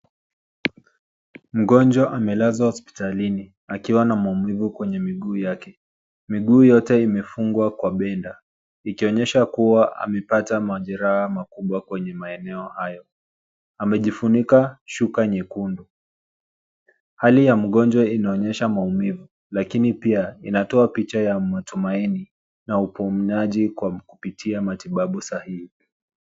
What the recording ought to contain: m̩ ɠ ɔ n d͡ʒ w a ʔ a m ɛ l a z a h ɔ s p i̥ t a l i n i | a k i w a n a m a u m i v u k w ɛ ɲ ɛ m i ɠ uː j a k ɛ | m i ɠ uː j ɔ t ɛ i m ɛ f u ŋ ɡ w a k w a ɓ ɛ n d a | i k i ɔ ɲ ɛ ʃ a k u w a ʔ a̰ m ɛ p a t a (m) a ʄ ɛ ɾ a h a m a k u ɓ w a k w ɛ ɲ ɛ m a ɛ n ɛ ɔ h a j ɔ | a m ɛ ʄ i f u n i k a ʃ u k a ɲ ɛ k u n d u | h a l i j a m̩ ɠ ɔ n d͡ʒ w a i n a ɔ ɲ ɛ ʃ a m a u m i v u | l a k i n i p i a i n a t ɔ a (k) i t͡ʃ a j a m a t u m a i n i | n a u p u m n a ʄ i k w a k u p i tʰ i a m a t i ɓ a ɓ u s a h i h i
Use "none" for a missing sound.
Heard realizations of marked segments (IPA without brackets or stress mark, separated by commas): m, p